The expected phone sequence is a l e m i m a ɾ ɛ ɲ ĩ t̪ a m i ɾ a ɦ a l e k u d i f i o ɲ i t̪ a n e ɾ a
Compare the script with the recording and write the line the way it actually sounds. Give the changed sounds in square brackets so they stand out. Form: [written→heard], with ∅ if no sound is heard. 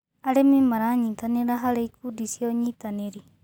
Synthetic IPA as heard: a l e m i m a ɾ [ɛ→a] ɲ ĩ t̪ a [m→n] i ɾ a ɦ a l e k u d i [f→s] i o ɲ i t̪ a n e ɾ [a→i]

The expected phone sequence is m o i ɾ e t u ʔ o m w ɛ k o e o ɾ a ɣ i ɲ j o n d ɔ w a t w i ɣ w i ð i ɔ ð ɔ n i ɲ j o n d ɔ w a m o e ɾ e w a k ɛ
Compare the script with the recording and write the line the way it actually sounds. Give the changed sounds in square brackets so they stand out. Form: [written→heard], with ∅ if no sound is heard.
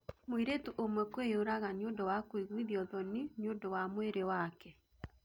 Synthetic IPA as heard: m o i ɾ e t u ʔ o m w ɛ k o e o ɾ a ɣ [i→a] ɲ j o n d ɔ w a [t→k] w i ɣ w i ð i ɔ ð ɔ n i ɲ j o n d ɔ w a m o e ɾ e w a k ɛ

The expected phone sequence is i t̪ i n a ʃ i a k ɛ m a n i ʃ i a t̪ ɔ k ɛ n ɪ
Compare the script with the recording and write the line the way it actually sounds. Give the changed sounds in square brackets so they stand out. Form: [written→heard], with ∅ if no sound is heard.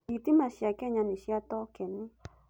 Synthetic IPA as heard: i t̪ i [n→m] a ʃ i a k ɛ [m→ɲ] a n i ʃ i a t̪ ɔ k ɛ n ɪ

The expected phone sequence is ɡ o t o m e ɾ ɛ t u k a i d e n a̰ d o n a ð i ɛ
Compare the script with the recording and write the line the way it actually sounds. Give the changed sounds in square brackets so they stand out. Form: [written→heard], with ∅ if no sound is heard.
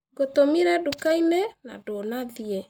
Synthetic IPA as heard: ɡ o t o m [e→i] ɾ ɛ [t→d] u k a i [d→n] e n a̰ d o n a ð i ɛ

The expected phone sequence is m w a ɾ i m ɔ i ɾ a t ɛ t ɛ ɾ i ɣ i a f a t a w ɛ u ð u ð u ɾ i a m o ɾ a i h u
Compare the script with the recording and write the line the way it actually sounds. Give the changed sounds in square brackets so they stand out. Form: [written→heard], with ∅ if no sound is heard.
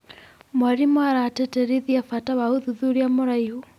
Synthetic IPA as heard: m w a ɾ i m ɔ [i→a] ɾ a t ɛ t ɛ ɾ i [ɣ→ð] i a f a t a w [ɛ→a] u ð u ð u ɾ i a m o ɾ a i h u

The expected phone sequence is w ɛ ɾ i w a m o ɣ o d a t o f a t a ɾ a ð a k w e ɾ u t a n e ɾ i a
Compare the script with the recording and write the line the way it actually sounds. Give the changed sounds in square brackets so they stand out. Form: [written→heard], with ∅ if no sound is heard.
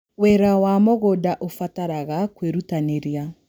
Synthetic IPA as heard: w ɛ ɾ [i→a] w a m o ɣ o d a [t→ʔ] o f a t a ɾ a [ð→ɣ] a k w e ɾ u t a n e ɾ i a

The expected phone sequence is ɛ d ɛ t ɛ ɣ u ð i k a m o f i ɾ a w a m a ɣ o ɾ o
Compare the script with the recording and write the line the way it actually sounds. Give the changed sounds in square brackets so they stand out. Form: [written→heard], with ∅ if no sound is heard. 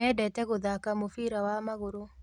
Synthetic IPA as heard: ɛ d ɛ t ɛ ɣ [u→o] ð [i→a] k a m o f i ɾ a w a m a ɣ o ɾ o

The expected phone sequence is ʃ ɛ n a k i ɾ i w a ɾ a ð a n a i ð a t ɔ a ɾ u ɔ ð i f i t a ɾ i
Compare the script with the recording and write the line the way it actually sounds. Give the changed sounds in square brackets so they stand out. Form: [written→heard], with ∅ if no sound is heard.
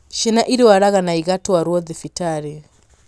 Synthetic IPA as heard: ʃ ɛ n a [k→ʔ] i ɾ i w a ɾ a [ð→ɣ] a n a i [ð→ɣ] a t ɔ a ɾ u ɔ ð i f i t a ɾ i

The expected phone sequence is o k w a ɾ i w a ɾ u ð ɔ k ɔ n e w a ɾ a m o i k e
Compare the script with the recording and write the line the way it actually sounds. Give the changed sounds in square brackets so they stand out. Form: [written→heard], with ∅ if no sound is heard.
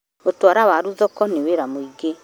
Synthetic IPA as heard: o [k→t] w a ɾ [i→a] w a ɾ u ð ɔ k ɔ n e w [a→e] ɾ a m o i [k→ɡ] e

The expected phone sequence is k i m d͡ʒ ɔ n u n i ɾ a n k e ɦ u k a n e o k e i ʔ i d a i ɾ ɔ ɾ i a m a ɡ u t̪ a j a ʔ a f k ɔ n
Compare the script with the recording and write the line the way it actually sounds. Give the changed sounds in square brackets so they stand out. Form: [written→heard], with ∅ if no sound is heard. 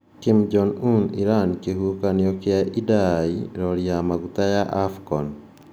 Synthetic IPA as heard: k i m d͡ʒ ɔ n u n i ɾ a n k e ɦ u k a n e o k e [i→a] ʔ i d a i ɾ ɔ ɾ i a m a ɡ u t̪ a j a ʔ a f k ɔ n

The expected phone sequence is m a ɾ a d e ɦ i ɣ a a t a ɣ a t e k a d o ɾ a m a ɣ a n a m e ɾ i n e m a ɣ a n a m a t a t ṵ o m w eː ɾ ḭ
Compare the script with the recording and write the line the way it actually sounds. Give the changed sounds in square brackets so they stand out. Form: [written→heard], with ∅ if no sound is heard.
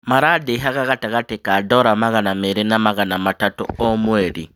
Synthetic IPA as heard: m a ɾ a d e ɦ [i→a] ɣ a a t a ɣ a t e k a d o ɾ a m a ɣ a n a m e ɾ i n [e→a] m a ɣ a n a m a t a t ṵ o m w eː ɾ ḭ

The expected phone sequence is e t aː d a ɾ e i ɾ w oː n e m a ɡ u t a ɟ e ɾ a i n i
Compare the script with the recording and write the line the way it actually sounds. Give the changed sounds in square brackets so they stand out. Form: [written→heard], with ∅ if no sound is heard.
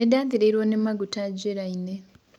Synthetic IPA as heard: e [t→d] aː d [a→i] ɾ e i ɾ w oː n e m a ɡ u t a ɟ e ɾ a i n [i→e]

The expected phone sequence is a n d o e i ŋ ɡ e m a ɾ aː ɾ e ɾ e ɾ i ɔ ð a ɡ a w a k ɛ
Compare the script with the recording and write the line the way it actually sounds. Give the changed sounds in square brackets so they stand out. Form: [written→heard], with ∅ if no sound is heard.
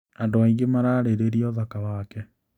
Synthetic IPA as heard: a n d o [e→a] i ŋ ɡ e m a ɾ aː ɾ e ɾ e ɾ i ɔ ð a [ɡ→k] a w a k ɛ

